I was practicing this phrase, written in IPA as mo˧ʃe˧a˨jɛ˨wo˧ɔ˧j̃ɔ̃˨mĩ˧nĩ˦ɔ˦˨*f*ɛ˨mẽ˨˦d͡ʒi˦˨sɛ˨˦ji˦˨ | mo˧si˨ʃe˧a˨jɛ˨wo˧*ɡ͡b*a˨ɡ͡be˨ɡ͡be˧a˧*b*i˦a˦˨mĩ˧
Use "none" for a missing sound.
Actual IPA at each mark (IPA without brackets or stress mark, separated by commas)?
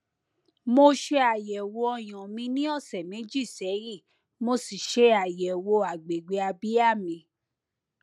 s, none, b